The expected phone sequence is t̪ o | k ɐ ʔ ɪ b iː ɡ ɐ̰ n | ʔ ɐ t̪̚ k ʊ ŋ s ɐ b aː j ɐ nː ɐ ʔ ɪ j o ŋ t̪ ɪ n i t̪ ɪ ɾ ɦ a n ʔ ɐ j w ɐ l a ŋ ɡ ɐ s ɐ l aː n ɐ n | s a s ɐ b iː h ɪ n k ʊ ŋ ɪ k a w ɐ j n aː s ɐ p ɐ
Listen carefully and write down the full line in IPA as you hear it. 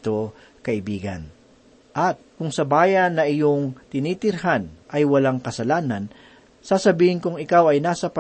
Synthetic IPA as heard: t̪ o | k ɐ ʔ ɪ b iː ɡ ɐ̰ n | ʔ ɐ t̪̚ k ʊ ŋ s ɐ b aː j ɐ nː ɐ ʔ ɪ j o ŋ t̪ ɪ n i t̪ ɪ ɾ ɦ a n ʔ ɐ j w ɐ l a ŋ k ɐ s ɐ l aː n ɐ n | s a s ɐ b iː h ɪ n k ʊ ŋ ɪ k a w ɐ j n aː s ɐ p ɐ